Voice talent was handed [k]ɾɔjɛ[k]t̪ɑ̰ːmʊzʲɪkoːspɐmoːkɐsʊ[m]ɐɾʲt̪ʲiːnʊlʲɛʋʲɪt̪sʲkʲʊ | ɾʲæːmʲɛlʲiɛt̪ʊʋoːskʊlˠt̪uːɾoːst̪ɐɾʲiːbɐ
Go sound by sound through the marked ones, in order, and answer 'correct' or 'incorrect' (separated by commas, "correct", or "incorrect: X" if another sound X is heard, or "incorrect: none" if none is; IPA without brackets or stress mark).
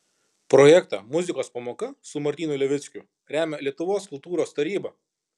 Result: incorrect: p, correct, correct